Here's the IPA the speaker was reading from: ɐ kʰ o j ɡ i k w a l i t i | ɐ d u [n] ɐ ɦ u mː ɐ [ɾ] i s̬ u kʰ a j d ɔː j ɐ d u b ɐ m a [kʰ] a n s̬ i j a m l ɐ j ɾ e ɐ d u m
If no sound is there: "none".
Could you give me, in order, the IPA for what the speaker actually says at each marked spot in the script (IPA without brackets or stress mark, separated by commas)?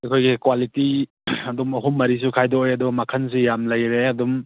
m, ɾ, kʰ